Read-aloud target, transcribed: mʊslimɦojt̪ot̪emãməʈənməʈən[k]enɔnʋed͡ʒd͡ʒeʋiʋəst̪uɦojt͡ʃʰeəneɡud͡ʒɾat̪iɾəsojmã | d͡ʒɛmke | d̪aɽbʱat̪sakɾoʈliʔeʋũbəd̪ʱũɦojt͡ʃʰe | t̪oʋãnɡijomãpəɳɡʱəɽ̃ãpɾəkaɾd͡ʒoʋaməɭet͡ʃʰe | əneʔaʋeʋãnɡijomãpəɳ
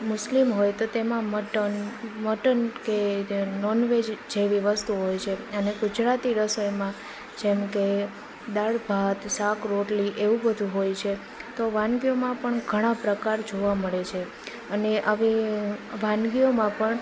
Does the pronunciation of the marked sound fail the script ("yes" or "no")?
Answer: no